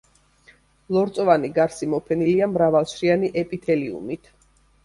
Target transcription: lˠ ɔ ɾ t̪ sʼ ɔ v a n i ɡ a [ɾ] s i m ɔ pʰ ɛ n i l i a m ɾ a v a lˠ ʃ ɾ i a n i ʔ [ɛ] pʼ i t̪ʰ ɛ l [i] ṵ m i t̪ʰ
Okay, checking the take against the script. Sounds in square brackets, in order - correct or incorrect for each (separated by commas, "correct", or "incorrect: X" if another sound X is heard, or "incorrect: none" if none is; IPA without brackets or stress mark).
correct, correct, correct